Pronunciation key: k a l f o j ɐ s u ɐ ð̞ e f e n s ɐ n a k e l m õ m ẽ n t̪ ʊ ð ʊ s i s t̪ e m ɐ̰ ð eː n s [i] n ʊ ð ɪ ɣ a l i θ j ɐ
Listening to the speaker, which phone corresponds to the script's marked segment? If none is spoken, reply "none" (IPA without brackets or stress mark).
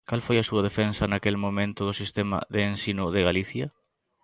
i